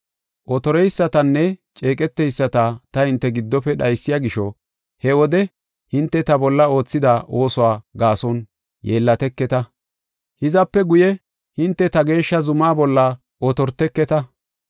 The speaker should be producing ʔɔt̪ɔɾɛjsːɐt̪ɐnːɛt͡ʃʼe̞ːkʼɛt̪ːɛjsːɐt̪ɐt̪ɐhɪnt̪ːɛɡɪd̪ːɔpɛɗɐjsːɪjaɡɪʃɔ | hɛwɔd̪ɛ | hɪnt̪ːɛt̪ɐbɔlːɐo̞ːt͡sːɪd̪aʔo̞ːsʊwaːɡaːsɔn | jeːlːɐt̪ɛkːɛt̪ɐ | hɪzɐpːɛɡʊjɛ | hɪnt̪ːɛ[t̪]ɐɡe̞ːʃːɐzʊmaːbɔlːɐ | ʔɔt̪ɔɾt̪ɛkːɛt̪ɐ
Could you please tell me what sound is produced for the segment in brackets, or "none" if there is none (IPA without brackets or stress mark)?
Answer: t̪